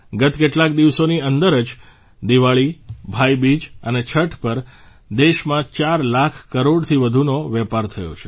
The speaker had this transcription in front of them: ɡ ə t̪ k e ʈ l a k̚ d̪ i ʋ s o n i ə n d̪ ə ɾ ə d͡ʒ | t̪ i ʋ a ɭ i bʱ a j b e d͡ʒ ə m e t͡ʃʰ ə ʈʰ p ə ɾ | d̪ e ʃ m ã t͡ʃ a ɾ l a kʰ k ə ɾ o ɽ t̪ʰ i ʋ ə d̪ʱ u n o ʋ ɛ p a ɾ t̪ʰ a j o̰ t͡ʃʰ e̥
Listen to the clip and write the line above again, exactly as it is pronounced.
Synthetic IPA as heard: ɡ ə t̪ k e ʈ l a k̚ d̪ i ʋ s o n i ə n d̪ ə ɾ ə d͡ʒ | d̪ i ʋ a ɭ i bʱ a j b i d͡ʒ ə n e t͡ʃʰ ə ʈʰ p ə ɾ | d̪ e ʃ m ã t͡ʃ a ɾ l a kʰ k ə ɾ o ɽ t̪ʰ i ʋ ə d̪ʱ u n o ʋ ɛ p a ɾ t̪ʰ ə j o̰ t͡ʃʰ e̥